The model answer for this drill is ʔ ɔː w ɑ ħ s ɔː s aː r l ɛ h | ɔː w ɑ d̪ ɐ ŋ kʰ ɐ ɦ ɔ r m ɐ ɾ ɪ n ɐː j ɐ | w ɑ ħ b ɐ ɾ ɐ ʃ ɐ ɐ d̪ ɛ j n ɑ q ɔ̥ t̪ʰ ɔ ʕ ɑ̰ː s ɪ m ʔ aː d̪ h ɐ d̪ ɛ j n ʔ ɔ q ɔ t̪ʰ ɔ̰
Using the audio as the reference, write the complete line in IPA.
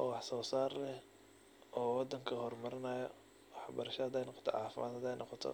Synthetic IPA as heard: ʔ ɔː w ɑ ħ s ɔː s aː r l ɛ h | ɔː w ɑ d̪ ɐ ŋ kʰ ɐ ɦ ɔ r m ɐ ɾ ɪ n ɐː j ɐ | w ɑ ħ b ɐ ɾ ɐ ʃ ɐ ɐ d̪ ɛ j n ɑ q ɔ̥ t̪ʰ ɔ ʕ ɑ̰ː f ɪ m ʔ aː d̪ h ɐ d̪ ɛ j n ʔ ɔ q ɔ t̪ʰ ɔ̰